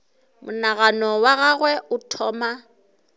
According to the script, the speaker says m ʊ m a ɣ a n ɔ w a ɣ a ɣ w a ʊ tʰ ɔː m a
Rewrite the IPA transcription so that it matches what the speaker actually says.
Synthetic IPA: m ʊ n a ɣ a n ɔ w a ɣ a ɣ w ɛ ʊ tʰ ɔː m a